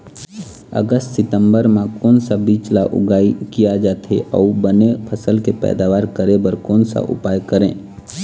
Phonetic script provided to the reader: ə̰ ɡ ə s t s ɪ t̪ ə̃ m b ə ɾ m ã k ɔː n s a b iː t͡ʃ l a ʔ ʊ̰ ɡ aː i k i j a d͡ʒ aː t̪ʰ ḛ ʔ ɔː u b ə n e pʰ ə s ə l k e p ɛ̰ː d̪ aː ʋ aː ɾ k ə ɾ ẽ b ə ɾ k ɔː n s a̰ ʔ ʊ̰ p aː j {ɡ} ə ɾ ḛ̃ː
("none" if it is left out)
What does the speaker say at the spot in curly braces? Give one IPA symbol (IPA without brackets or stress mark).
k